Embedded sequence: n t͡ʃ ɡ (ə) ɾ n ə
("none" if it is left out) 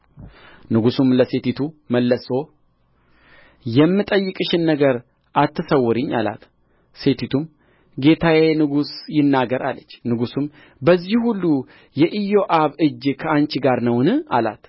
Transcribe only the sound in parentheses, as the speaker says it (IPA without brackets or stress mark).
a